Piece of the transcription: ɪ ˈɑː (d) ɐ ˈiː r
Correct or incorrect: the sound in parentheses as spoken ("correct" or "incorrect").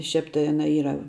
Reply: incorrect